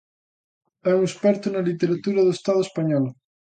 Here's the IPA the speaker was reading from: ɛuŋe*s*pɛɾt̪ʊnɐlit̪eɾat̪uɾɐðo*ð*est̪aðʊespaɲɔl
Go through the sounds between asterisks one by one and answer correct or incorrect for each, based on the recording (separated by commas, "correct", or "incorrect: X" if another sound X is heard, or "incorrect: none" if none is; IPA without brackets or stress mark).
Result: correct, incorrect: none